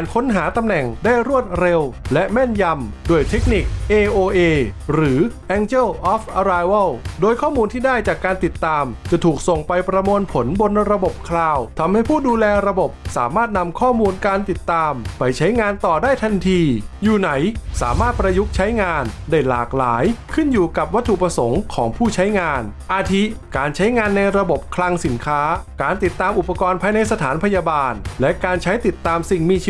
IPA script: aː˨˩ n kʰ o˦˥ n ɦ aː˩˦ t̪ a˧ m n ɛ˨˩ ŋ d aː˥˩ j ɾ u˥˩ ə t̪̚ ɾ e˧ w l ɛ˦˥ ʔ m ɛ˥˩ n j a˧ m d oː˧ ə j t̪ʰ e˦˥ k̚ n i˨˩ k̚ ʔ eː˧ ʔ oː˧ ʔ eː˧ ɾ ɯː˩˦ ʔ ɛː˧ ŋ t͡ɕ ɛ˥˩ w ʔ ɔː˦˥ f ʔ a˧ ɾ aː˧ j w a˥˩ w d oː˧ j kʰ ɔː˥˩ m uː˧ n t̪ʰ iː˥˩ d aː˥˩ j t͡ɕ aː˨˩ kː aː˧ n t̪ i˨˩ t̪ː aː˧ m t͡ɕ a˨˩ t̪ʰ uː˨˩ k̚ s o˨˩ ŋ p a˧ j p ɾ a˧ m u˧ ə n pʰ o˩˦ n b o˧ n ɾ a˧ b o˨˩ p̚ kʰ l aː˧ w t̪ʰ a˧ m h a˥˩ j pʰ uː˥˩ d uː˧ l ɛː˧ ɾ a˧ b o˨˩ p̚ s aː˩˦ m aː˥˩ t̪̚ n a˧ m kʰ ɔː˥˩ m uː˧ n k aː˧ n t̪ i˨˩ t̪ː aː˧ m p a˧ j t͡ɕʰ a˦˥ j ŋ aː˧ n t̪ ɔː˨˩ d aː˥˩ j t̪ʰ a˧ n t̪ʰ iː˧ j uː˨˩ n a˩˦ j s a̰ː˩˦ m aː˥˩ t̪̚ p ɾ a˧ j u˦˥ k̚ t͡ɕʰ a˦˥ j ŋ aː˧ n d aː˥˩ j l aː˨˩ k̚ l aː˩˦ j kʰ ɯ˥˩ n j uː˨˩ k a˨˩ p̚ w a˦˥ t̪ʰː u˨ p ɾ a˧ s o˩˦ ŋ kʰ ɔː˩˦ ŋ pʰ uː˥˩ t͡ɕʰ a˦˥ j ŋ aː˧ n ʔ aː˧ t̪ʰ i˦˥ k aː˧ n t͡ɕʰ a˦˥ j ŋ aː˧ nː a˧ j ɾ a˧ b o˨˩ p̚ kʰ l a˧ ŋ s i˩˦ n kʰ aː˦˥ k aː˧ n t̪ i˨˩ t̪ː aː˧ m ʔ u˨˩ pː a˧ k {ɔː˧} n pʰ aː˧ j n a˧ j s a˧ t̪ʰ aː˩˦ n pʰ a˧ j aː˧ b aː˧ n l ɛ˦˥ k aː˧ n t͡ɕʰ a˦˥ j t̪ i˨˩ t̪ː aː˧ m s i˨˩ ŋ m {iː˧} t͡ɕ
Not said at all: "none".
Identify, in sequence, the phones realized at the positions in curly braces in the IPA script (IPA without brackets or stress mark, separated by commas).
ɔː˧, iː˧